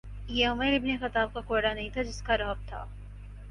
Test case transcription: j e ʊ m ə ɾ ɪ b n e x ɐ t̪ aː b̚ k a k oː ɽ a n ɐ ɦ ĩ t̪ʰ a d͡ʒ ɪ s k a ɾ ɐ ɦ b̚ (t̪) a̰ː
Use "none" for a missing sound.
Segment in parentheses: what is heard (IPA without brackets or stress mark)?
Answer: t̪ʰ